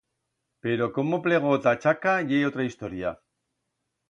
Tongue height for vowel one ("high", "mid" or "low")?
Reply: mid